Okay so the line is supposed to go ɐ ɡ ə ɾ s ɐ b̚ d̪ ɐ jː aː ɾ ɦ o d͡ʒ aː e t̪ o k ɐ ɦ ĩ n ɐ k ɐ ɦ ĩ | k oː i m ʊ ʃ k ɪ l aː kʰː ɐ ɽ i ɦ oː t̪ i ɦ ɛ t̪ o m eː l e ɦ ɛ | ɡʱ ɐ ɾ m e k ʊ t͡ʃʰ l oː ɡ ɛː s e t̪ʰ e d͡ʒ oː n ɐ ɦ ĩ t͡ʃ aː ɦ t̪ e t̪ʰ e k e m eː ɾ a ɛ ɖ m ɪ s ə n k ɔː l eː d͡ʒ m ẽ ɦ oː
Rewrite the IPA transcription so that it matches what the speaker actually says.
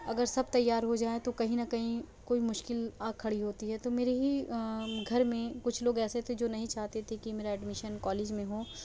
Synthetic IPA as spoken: ɐ ɡ ə ɾ s ɐ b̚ t̪ ɐ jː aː ɾ ɦ o d͡ʒ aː e t̪ o k ɐ ɦ ĩ n ɐ k ɐ ɦ ĩ | k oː i m ʊ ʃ k ɪ l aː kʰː ɐ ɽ i ɦ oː t̪ i ɦ ɛ t̪ o m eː ɾ e ɦ i | ɡʱ ɐ ɾ m ẽ k ʊ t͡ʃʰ l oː ɡ ɛː s e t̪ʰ e d͡ʒ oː n ɐ ɦ ĩ t͡ʃ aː ɦ t̪ e t̪ʰ e k i m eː ɾ a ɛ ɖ m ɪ ʃ ə n k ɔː l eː d͡ʒ m ẽ ɦ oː